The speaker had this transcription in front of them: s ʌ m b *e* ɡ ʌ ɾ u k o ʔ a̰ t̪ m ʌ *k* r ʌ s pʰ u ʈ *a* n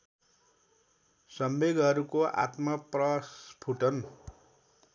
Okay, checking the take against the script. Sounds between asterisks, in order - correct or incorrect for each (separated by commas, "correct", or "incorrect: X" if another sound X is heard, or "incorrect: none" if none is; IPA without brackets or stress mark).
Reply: correct, incorrect: p, incorrect: ʌ